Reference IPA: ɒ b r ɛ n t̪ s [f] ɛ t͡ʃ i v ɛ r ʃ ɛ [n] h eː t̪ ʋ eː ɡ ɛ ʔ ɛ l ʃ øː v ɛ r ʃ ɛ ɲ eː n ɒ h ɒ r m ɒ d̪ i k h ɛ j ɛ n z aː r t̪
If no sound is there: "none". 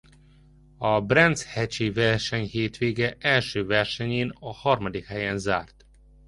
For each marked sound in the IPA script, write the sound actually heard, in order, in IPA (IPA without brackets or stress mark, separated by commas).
h, ɲ